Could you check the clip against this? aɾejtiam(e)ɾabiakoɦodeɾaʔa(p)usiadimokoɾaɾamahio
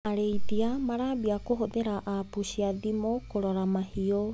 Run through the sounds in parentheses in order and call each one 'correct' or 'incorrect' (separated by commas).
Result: incorrect, correct